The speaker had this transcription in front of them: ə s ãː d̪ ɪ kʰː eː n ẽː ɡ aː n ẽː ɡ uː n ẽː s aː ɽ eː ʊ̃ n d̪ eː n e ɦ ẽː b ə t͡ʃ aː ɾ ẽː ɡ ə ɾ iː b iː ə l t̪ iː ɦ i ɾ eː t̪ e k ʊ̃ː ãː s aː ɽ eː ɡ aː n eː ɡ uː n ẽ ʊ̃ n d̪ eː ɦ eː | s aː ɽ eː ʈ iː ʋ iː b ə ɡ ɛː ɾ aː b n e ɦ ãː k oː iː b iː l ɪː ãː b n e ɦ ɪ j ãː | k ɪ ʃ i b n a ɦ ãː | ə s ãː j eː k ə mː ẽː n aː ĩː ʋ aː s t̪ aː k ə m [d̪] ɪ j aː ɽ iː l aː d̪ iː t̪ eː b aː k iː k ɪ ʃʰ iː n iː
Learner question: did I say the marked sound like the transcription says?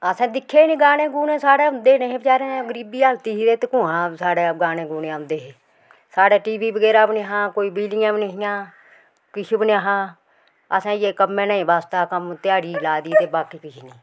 no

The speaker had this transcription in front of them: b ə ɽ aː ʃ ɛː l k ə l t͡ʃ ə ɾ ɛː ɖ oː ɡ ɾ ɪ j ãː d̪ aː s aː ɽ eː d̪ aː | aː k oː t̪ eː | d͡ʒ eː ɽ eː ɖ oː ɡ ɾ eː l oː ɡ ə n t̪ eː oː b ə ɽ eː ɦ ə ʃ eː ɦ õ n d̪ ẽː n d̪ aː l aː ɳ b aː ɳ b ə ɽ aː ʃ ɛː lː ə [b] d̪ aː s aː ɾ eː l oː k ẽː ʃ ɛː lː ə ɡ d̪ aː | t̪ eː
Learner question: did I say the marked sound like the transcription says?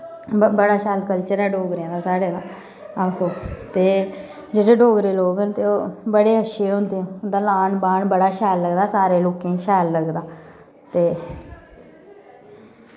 no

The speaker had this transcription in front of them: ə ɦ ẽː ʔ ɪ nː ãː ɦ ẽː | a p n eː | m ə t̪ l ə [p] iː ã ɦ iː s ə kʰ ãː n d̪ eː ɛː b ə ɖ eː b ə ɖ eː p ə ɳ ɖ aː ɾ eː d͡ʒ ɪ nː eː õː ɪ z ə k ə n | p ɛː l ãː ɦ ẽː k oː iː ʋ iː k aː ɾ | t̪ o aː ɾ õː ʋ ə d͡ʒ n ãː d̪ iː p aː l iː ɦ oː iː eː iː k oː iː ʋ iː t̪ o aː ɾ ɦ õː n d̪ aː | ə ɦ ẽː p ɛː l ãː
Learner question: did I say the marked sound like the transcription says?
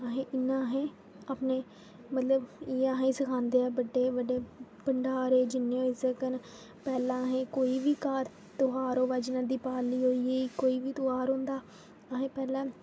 no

